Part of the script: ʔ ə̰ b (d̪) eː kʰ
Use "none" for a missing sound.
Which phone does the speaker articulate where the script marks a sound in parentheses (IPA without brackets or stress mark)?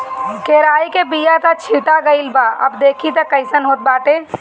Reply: d̪